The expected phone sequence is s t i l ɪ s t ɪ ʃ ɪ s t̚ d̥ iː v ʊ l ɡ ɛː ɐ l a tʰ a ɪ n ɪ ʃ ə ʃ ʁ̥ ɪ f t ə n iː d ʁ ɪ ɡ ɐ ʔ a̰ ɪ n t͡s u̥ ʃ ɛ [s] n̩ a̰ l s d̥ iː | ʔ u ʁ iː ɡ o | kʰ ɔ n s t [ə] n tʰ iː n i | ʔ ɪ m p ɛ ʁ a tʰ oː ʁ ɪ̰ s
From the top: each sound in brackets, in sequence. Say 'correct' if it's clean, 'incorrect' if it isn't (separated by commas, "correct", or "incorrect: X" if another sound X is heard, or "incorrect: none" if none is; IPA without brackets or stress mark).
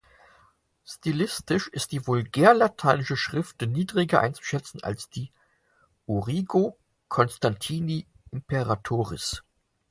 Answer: incorrect: t͡s, incorrect: a